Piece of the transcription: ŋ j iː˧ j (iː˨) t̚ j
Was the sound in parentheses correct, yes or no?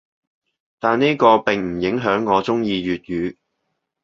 no